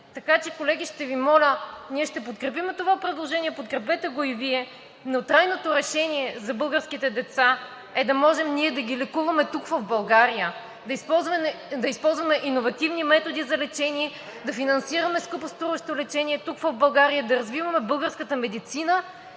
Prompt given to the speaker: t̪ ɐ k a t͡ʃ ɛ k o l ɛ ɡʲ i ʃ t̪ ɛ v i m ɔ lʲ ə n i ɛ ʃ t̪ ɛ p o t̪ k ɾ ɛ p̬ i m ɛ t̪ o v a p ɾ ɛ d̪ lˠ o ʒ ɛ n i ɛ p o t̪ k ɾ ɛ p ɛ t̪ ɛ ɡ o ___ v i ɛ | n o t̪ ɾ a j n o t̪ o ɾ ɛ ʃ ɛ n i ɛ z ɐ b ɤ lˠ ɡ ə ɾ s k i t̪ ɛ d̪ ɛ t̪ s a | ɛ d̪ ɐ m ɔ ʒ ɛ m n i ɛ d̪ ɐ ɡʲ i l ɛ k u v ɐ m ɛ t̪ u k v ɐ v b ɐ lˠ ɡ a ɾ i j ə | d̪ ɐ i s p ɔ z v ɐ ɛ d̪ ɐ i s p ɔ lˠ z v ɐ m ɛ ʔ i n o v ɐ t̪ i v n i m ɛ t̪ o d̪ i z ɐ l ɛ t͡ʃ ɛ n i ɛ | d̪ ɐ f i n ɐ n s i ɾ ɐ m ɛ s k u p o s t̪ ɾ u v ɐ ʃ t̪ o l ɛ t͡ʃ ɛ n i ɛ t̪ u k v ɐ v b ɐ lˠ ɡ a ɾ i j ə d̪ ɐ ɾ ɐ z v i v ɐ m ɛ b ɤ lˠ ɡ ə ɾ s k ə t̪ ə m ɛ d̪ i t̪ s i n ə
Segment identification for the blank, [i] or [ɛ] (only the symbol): i